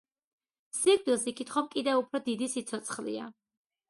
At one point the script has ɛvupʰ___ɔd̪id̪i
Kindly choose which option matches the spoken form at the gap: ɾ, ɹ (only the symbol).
ɾ